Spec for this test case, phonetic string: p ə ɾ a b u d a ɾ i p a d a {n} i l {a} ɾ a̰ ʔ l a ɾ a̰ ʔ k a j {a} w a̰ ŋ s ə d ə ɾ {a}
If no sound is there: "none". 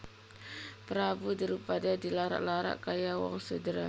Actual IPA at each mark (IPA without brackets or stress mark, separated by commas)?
d, a, a, a